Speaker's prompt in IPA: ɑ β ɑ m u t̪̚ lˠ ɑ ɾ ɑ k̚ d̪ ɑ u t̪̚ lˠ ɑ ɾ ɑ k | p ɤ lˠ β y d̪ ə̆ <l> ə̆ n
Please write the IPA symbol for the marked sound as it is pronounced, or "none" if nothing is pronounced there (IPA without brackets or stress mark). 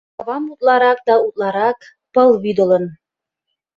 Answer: l